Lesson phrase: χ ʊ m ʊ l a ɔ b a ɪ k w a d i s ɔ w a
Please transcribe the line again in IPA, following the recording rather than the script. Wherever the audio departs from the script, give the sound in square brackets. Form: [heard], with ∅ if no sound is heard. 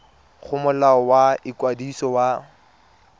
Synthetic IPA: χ ʊ m ʊ l a ɔ [w] a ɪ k w a d i s ɔ w a